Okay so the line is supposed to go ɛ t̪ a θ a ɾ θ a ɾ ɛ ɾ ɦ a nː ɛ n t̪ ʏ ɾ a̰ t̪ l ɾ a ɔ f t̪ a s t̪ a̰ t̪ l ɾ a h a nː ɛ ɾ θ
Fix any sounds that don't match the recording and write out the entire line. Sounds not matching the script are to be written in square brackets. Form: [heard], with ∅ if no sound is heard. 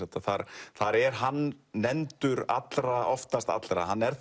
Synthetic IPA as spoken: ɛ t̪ a θ a ɾ θ a ɾ ɛ ɾ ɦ a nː ɛ n t̪ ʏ ɾ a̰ t̪ l ɾ a ɔ f t̪ a s t̪ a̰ t̪ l ɾ a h a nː ɛ ɾ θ